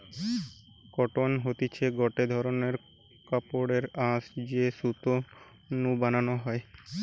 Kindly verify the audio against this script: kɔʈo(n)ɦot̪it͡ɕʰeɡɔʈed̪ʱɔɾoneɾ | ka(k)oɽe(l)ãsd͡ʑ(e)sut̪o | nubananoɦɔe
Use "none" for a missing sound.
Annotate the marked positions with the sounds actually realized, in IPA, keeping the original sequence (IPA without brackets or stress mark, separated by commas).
n, p, ɾ, e